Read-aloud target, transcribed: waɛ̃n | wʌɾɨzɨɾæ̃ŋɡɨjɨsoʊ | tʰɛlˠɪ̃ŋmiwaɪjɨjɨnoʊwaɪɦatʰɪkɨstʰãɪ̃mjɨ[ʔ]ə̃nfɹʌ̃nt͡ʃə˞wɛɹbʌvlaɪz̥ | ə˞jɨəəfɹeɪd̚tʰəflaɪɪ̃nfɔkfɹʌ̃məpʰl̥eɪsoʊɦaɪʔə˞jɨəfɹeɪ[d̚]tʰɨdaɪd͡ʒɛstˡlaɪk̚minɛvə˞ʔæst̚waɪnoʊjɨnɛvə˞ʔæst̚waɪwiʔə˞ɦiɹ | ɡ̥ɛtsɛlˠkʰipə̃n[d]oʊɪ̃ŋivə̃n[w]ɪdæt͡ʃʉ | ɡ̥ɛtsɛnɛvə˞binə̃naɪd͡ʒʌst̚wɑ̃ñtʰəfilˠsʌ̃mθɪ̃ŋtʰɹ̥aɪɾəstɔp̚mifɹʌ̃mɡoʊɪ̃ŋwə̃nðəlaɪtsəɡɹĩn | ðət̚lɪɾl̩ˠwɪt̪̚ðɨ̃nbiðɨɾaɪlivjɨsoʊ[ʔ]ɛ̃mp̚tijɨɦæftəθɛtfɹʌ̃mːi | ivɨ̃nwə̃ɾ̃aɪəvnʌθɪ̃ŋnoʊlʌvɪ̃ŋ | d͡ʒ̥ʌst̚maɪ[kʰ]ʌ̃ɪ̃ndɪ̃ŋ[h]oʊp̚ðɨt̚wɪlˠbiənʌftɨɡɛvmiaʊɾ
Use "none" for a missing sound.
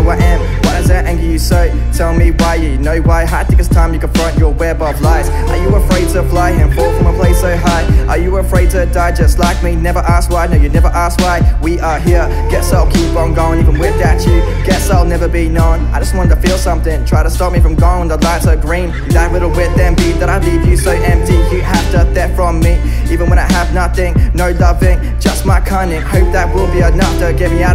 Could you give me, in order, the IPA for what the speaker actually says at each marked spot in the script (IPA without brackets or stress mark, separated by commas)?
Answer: k, d̚, ɡ, w, ʔ, kʰ, h